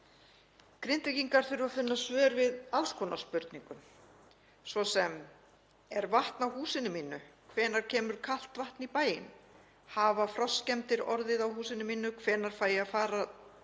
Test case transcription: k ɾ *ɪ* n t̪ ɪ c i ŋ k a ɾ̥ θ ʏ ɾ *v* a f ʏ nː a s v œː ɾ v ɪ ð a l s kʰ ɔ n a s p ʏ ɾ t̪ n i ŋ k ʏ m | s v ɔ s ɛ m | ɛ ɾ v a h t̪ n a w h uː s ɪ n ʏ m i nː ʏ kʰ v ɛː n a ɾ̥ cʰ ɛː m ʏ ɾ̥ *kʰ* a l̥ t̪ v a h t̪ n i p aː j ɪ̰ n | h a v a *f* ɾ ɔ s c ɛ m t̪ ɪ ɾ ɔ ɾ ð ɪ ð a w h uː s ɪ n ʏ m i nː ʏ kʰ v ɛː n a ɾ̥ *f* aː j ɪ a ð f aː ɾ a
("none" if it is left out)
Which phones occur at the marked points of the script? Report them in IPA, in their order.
ɪ, v, kʰ, f, f

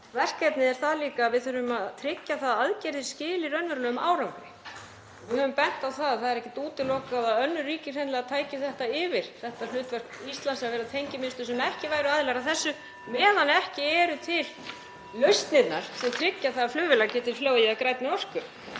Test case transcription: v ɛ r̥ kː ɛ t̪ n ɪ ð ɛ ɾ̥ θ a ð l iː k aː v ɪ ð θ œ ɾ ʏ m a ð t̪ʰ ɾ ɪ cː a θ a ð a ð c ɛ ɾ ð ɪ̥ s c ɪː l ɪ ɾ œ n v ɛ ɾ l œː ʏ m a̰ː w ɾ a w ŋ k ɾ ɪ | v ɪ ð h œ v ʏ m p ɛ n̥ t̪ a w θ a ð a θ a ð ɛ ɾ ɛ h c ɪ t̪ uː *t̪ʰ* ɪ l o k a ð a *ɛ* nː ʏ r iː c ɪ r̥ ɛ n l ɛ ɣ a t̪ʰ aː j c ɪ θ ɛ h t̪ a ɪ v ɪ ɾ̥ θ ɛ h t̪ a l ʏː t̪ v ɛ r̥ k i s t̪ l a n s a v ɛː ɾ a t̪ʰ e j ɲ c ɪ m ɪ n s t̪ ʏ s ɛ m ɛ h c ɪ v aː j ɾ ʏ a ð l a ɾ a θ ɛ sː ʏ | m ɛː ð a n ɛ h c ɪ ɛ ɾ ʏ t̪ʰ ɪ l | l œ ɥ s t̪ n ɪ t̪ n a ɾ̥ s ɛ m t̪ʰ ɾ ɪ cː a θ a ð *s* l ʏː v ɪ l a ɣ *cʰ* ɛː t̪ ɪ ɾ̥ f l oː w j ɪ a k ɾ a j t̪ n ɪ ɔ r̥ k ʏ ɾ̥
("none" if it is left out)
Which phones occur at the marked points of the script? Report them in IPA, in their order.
t̪, œ, f, c

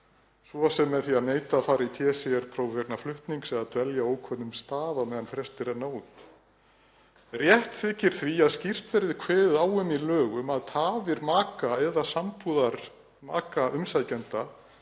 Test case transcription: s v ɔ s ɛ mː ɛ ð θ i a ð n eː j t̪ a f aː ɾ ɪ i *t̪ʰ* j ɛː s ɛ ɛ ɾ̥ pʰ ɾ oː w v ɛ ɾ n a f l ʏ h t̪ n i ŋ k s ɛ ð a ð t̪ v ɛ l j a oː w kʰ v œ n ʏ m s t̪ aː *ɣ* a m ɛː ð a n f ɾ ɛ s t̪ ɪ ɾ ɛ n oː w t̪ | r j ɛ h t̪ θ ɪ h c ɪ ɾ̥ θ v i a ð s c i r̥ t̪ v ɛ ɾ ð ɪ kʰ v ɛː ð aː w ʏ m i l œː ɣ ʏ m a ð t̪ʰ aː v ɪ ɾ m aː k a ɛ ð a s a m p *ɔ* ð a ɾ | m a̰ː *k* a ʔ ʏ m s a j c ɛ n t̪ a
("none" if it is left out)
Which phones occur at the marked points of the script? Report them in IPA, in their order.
t̪ʰ, ð, u, k

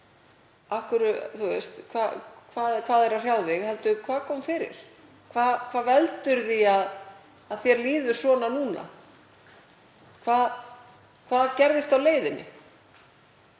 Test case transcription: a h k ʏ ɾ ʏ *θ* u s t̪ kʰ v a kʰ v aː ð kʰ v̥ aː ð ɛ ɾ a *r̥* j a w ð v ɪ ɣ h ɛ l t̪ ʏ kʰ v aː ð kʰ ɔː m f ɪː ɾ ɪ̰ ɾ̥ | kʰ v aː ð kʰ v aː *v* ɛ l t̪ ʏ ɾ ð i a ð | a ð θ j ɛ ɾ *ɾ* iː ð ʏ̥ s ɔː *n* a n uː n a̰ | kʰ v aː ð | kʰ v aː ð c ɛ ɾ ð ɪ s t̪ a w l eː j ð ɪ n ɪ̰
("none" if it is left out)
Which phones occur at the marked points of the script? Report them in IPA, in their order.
θ, r̥, v, l, n

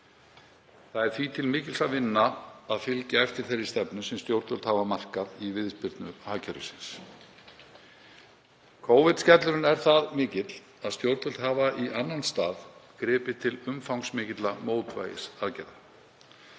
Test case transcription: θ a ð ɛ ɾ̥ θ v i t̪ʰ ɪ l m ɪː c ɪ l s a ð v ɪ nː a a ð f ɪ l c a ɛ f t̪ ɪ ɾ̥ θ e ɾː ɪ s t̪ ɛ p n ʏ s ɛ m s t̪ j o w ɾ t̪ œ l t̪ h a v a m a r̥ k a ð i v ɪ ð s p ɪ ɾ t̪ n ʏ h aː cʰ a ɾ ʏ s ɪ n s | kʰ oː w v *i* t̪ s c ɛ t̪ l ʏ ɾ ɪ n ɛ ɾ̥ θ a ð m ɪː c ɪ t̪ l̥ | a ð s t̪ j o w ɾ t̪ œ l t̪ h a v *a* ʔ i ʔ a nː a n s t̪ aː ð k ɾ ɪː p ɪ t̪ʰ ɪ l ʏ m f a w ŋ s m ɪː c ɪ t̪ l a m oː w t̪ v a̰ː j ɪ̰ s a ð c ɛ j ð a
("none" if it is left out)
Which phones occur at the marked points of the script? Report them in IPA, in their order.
ɪ, a

